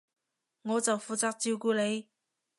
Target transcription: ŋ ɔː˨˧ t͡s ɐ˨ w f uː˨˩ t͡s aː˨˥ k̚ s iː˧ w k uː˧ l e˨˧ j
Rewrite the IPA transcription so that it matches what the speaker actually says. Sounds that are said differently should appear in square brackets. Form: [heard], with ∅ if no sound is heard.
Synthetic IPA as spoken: ŋ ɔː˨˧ t͡s ɐ˨ w f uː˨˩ t͡s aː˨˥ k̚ [t͡s] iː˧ w k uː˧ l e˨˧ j